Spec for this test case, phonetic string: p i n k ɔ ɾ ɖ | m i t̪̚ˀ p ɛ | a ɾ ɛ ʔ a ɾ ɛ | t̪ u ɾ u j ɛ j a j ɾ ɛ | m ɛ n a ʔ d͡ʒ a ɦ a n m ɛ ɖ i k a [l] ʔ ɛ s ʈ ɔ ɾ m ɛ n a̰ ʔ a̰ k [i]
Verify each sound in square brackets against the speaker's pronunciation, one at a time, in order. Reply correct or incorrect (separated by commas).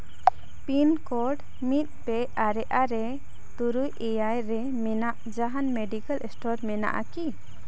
correct, correct